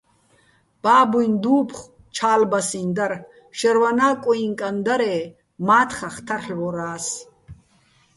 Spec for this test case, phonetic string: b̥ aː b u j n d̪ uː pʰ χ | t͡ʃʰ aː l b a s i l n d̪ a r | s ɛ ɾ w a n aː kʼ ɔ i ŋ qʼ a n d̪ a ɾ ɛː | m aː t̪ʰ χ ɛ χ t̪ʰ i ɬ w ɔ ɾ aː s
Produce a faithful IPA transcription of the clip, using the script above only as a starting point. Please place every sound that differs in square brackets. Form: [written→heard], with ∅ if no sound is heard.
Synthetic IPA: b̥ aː b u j n d̪ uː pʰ χ | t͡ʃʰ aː l b a s i [l→∅] n d̪ a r | [s→ʃ] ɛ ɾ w a n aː kʼ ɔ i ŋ [qʼ→kʼ] a n d̪ a ɾ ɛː | m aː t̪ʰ χ [ɛ→a] χ t̪ʰ [i→a] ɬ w ɔ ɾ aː s